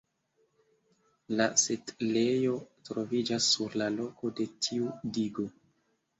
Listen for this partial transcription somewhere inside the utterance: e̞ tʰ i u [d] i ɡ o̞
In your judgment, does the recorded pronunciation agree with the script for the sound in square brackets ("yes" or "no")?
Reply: yes